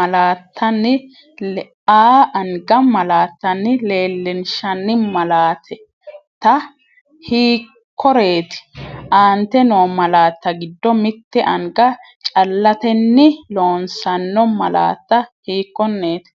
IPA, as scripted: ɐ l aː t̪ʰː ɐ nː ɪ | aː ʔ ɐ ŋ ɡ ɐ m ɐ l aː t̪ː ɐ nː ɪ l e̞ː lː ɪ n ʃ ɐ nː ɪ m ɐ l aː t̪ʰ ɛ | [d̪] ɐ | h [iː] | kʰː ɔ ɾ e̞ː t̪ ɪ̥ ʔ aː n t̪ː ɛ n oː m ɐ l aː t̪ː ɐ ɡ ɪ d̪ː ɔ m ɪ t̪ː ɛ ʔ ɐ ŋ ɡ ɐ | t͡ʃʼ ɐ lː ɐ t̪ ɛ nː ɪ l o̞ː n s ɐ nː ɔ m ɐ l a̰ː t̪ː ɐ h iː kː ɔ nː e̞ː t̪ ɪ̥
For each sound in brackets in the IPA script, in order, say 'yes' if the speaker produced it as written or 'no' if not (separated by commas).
no, yes